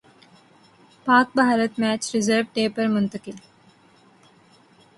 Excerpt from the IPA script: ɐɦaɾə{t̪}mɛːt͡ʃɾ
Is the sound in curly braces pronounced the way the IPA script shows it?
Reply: yes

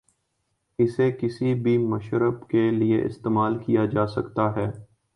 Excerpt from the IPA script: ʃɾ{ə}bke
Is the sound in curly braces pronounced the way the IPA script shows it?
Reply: yes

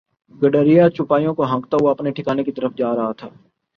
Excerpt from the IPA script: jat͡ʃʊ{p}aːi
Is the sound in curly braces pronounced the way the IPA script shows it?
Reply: yes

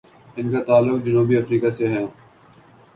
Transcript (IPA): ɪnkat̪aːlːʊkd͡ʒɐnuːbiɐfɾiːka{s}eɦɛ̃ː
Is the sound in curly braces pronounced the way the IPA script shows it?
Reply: yes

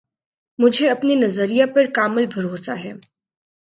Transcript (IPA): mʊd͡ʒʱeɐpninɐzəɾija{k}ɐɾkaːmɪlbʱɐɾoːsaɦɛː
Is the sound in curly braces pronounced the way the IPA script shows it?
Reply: no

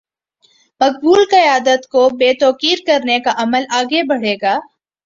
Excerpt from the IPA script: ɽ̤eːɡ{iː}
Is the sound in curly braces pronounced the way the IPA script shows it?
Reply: no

